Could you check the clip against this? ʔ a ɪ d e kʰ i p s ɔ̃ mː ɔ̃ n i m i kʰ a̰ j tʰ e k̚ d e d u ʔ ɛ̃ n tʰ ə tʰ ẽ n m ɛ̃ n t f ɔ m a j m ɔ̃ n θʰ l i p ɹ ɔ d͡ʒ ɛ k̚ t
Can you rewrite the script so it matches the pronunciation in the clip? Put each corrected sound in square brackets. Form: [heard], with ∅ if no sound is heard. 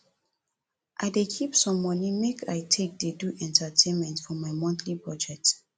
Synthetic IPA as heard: ʔ a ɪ d e kʰ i p s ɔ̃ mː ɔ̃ n i m [e] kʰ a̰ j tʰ e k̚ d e d u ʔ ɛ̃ n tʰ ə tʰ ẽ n m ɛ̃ n t f ɔ m a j m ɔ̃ n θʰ l i p ɹ ɔ d͡ʒ ɛ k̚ t